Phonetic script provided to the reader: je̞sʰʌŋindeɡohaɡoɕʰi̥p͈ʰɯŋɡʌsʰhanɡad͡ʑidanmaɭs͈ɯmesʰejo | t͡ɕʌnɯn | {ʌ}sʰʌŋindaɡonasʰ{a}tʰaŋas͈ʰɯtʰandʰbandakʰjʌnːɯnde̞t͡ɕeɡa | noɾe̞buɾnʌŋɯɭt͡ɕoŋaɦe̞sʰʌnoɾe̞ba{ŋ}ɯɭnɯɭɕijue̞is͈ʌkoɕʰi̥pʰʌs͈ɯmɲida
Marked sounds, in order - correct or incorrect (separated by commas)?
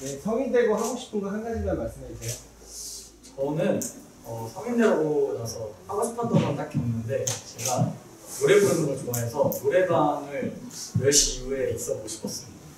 correct, incorrect, correct